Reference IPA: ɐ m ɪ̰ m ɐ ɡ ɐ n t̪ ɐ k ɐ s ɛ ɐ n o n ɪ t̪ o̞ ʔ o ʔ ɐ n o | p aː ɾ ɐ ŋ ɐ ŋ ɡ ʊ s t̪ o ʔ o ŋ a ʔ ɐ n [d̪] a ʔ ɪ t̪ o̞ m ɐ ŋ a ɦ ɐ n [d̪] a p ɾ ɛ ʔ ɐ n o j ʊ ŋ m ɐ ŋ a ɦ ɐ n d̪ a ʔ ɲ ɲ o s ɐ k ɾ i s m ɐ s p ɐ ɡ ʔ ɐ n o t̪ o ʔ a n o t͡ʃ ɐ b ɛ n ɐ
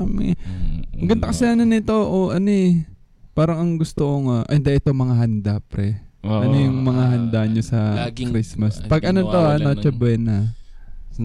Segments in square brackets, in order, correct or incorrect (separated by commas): correct, correct